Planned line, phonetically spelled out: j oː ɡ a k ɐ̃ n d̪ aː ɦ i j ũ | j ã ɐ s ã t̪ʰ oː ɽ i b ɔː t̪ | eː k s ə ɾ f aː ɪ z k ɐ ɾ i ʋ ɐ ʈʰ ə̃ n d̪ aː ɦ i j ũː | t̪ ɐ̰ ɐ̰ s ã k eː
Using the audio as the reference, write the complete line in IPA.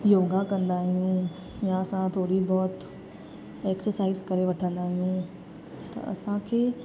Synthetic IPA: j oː ɡ a k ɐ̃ n d̪ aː ɦ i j ũ | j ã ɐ s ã t̪ʰ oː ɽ i b ɔː t̪ | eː k s ə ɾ s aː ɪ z k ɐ ɾ e ʋ ɐ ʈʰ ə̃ n d̪ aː ɦ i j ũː | t̪ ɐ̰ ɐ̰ s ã kʰ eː